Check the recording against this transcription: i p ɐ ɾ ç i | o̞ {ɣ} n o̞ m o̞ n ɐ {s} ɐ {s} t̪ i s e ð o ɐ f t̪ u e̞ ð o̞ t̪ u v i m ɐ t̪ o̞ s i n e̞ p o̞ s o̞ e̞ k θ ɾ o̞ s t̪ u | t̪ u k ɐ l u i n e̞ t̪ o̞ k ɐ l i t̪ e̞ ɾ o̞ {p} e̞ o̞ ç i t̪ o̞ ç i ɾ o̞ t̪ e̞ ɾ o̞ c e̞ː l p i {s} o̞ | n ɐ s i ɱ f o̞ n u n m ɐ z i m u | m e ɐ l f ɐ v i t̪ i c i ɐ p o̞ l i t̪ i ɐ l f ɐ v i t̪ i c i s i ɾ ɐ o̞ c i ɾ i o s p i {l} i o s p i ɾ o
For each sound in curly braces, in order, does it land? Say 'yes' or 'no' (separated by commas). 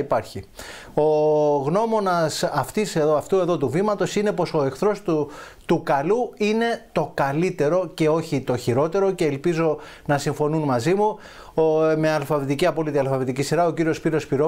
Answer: yes, yes, no, no, no, no